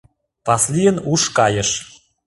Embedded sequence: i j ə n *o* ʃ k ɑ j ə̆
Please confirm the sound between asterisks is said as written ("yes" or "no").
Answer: no